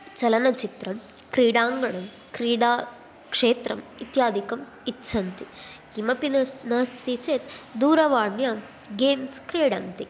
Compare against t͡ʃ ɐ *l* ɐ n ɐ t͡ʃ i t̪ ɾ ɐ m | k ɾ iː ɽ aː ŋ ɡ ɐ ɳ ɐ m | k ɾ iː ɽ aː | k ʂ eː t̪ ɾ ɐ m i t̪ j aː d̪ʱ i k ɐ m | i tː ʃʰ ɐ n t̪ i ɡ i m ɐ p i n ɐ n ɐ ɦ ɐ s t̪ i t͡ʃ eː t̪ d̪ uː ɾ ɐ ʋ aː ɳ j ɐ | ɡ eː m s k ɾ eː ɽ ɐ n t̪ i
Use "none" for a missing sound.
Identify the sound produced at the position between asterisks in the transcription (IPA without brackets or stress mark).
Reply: l